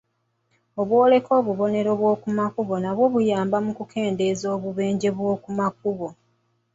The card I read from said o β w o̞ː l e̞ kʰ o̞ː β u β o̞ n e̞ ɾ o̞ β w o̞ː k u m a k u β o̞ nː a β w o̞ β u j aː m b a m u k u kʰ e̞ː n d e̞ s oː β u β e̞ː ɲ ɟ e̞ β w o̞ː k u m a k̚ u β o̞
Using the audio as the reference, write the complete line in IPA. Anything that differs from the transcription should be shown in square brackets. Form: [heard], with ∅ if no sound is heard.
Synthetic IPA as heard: o β w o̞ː l e̞ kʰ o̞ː β u β o̞ n e̞ ɾ o̞ β w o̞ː k u m a k u β o̞ [n] a β w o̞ β u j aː m b a m u k u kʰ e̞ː n d e̞ [z] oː β u β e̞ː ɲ ɟ e̞ β w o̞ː k u m a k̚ u β o̞